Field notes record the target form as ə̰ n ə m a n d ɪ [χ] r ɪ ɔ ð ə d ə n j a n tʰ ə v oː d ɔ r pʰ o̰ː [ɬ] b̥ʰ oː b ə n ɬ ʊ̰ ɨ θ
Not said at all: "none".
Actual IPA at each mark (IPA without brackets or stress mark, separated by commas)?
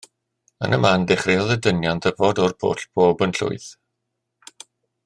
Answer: χ, ɬ